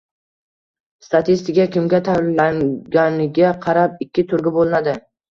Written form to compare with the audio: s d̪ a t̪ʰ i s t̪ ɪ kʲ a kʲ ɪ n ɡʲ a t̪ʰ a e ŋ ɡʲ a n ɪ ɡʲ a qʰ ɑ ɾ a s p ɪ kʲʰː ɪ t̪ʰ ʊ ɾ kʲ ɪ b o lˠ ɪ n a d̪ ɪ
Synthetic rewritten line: s t̪ a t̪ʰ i s t̪ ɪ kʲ a kʲ ɪ m ɡʲ a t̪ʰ a a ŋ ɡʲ a n ɪ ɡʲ a qʰ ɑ ɾ a p ɪ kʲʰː ɪ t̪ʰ ʊ ɾ ɡʲ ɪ b o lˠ ɪ n a d̪ ɪ